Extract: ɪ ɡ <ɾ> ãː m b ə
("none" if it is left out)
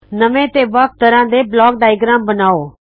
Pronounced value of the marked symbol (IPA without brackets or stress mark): ɾ